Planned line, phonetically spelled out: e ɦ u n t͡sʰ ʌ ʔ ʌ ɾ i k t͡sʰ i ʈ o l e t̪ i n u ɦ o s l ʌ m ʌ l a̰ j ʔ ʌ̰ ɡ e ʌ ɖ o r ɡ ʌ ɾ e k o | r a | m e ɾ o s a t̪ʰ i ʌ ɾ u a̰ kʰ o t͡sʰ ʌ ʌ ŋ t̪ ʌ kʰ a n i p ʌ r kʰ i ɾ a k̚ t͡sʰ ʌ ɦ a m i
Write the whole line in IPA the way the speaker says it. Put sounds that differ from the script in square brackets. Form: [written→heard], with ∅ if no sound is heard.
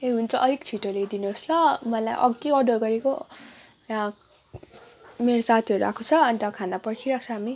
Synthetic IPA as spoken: e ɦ u n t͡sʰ ʌ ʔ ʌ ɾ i k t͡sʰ i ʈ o l e [t̪→d̪] i n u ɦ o s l ʌ m ʌ l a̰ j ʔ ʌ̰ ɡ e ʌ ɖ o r ɡ ʌ ɾ e k o | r a | m e ɾ o s a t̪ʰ i ʌ ɾ u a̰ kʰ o t͡sʰ ʌ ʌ [ŋ→n] t̪ ʌ kʰ a n [i→a] p ʌ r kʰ i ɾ a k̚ t͡sʰ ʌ ɦ a m i

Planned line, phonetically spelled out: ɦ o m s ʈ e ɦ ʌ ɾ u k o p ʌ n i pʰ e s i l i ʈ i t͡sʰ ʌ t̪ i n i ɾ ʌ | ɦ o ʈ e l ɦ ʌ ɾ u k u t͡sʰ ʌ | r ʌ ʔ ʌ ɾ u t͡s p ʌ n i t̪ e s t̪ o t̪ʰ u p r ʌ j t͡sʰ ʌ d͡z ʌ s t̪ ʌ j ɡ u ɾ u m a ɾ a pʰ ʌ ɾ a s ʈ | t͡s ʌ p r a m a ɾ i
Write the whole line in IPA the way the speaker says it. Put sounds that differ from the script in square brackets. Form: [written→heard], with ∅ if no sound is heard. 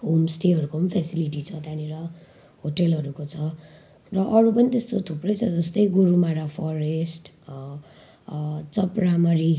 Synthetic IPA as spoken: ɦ o m s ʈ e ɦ ʌ ɾ u k o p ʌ n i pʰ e s i l i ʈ i t͡sʰ ʌ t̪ [i→a] n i ɾ ʌ | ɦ o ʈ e l ɦ ʌ ɾ u k [u→o] t͡sʰ ʌ | r ʌ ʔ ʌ ɾ u [t͡s→∅] p ʌ n i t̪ e s t̪ o t̪ʰ u p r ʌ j t͡sʰ ʌ d͡z ʌ s t̪ ʌ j ɡ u ɾ u m a ɾ a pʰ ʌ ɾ [a→e] s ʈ | t͡s ʌ p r a m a ɾ i

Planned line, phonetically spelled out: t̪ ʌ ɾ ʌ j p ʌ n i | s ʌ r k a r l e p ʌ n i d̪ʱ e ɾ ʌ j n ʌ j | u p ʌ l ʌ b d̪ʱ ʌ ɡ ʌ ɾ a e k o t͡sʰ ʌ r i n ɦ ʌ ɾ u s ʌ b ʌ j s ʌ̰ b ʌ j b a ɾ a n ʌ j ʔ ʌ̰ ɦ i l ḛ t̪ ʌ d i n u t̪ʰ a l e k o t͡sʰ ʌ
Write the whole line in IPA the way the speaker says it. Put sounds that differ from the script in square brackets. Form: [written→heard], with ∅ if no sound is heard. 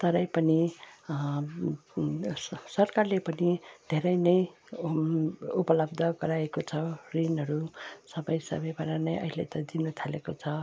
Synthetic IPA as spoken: t̪ ʌ ɾ ʌ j p ʌ n i | s ʌ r k a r l e p ʌ n i d̪ʱ e ɾ ʌ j n ʌ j | u p ʌ l ʌ b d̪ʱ ʌ ɡ ʌ ɾ a e k o t͡sʰ ʌ r i n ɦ ʌ ɾ u s ʌ b ʌ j s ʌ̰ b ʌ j b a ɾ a n ʌ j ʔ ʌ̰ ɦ i l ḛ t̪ ʌ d i n u t̪ʰ a l e k o t͡sʰ ʌ

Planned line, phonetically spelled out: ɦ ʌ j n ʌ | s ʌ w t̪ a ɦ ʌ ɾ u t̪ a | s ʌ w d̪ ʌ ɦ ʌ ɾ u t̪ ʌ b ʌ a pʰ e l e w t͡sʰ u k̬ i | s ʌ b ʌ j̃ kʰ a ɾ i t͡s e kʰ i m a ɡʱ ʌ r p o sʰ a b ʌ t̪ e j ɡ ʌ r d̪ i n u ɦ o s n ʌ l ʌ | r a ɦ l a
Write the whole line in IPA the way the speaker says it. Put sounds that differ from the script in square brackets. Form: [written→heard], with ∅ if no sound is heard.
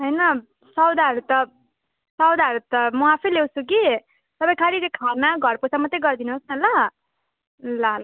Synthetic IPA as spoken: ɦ ʌ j n ʌ | s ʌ w [t̪→d̪] a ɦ ʌ ɾ u t̪ [a→ʌ] | s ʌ w d̪ [ʌ→a] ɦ ʌ ɾ u t̪ ʌ [b→m] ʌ a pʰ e l e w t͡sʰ u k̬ i | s ʌ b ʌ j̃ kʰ a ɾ i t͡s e kʰ [i→a] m a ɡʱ ʌ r p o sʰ a [b→m] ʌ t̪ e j ɡ ʌ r d̪ i n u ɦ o s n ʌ l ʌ | [r→l] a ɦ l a

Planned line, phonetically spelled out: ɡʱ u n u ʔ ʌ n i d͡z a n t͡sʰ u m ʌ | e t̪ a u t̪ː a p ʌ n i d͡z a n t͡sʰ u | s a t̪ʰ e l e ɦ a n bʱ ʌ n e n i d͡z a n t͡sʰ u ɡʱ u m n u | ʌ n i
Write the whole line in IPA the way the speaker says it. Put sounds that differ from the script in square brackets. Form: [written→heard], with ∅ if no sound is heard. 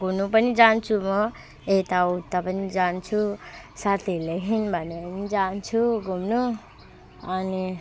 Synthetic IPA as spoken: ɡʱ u n u [ʔ→p] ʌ n i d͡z a n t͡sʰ u m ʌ | e t̪ a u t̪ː a p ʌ n i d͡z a n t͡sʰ u | s a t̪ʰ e l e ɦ [a→i] n bʱ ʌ n e n i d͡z a n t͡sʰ u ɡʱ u m n u | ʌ n i

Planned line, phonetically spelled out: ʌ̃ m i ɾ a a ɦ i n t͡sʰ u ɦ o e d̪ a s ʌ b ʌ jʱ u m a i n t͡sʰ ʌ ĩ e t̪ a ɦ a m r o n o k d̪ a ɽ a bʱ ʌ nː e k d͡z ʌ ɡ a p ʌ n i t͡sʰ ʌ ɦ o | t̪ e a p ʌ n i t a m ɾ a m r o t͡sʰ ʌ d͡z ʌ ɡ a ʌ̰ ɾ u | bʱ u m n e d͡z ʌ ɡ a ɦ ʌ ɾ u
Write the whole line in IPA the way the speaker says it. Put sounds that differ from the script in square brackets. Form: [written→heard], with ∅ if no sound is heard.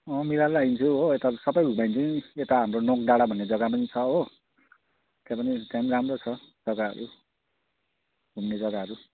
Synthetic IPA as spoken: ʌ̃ m i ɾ a a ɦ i n t͡sʰ u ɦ o e [d̪→t̪] a s ʌ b ʌ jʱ u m a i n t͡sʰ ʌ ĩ e t̪ a ɦ a m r o n o k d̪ a ɽ a bʱ ʌ nː e [k→∅] d͡z ʌ ɡ a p ʌ n i t͡sʰ ʌ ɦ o | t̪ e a p ʌ n i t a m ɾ a m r o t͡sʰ ʌ d͡z ʌ ɡ a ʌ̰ ɾ u | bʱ u m n e d͡z ʌ ɡ a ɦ ʌ ɾ u

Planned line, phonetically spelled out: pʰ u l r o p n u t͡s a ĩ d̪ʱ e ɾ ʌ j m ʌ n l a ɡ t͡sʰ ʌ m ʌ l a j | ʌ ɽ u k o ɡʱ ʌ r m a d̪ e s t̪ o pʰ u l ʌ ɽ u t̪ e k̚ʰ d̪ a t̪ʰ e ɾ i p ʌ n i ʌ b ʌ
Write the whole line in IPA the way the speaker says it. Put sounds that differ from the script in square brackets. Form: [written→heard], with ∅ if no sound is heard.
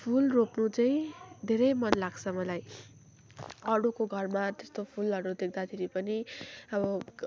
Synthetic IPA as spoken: pʰ u l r o p n u t͡s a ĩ d̪ʱ e ɾ ʌ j m ʌ n l a ɡ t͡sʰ ʌ m ʌ l a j | ʌ ɽ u k o ɡʱ ʌ r m a [d̪→t̪] e s t̪ o pʰ u l ʌ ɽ u [t̪→d̪] e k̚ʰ d̪ a t̪ʰ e ɾ i p ʌ n i ʌ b ʌ

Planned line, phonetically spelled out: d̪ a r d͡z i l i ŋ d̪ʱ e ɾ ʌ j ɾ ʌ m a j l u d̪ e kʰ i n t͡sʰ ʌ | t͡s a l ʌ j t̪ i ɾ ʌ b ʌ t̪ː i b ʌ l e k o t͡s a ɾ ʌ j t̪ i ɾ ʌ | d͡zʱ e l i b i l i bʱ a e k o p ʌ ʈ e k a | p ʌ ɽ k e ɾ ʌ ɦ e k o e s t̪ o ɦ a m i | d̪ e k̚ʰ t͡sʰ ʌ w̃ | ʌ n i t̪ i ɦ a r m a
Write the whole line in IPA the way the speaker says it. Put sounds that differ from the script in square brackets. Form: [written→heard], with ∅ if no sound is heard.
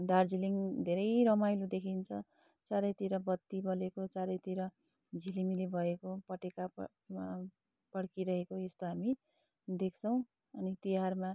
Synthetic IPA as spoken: d̪ a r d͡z i l i ŋ d̪ʱ e ɾ ʌ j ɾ ʌ m a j l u d̪ e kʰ i n t͡sʰ ʌ | t͡s a [l→ɾ] ʌ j t̪ i ɾ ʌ b ʌ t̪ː i b ʌ l e k o t͡s a ɾ ʌ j t̪ i ɾ ʌ | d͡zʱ [e→i] l i [b→m] i l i bʱ [a→ʌ] e k o p ʌ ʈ e k a | p ʌ ɽ k [e→i] ɾ ʌ ɦ e k o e s t̪ o ɦ a m i | d̪ e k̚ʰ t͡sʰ ʌ w̃ | ʌ n i t̪ i ɦ a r m a

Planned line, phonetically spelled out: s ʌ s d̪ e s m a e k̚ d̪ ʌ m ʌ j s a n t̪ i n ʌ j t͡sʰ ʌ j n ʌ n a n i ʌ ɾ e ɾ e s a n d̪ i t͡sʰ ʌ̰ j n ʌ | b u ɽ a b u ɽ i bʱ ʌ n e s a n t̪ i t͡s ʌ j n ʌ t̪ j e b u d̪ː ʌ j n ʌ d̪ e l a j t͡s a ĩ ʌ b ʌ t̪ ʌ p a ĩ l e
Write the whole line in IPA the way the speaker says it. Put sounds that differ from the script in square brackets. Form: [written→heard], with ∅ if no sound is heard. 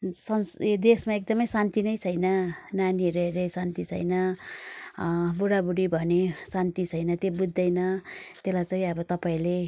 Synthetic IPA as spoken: s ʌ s d̪ e s m a e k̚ d̪ ʌ m ʌ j s a n t̪ i n ʌ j t͡sʰ ʌ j n ʌ n a n i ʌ ɾ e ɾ e s a n [d̪→t̪] i t͡sʰ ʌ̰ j n ʌ | b u ɽ a b u ɽ i bʱ ʌ n e s a n t̪ i [t͡s→t͡sʰ] ʌ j n ʌ t̪ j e b u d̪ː ʌ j n ʌ [d̪→t̪] e l a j t͡s a ĩ ʌ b ʌ t̪ ʌ p a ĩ l e

